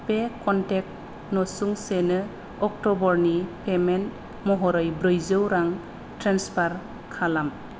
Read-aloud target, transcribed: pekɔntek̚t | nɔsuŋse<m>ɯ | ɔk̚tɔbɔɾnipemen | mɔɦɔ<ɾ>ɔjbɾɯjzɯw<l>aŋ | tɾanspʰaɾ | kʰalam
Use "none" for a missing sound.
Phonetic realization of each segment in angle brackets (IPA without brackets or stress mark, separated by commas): n, ɾ, ɾ